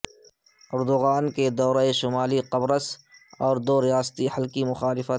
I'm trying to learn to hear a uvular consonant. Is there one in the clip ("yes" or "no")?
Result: yes